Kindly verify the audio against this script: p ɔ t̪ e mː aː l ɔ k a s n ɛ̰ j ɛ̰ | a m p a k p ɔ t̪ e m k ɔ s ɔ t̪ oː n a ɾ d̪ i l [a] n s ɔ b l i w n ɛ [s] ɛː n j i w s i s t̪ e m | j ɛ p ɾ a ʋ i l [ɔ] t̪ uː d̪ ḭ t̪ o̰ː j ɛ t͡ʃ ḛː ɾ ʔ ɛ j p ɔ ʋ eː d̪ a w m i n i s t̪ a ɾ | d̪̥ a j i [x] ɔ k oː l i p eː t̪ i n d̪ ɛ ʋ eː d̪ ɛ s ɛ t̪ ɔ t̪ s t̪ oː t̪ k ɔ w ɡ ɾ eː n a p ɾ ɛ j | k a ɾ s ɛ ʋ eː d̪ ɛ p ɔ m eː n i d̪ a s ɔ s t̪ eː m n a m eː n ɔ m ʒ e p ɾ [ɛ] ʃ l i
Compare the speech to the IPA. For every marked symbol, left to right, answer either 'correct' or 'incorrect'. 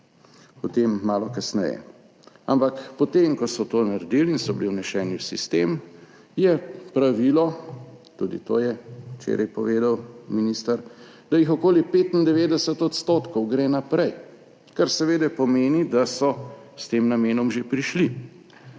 incorrect, incorrect, correct, correct, incorrect

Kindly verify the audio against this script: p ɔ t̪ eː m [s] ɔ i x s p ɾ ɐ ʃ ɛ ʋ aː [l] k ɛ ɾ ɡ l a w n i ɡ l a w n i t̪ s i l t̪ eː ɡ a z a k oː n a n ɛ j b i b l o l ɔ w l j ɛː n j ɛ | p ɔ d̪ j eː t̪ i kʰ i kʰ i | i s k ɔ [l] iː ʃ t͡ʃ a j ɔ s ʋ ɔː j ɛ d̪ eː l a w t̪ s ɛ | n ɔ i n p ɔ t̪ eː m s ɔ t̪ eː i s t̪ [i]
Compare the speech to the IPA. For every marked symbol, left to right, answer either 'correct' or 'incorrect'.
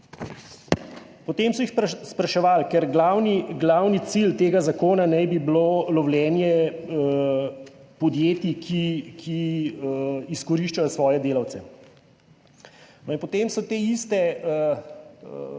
correct, correct, incorrect, incorrect

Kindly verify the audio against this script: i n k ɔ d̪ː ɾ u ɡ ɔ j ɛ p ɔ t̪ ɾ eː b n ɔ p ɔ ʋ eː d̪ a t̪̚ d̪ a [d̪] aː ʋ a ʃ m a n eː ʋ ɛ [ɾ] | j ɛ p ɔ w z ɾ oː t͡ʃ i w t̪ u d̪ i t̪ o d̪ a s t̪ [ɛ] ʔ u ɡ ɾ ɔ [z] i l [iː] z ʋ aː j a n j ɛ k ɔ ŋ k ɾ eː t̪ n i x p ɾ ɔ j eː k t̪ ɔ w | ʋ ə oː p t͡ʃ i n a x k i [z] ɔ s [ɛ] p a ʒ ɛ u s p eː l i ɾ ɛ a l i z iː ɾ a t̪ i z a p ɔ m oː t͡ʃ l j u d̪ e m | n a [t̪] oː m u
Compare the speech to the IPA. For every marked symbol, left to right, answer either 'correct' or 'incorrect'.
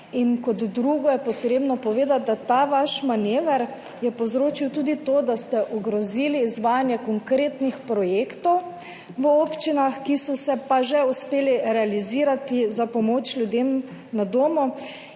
incorrect, correct, correct, correct, correct, incorrect, correct, incorrect

